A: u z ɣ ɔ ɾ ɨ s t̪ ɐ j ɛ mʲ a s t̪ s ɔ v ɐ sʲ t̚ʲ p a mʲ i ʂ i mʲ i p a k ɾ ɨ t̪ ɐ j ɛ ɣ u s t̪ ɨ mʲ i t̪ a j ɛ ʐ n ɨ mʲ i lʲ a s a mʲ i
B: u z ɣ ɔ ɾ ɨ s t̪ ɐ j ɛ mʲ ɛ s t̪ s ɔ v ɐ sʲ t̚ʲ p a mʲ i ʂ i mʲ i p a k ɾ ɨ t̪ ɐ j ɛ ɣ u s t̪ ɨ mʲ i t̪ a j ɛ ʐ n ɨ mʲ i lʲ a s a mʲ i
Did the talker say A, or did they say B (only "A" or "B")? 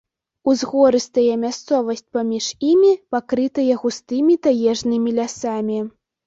A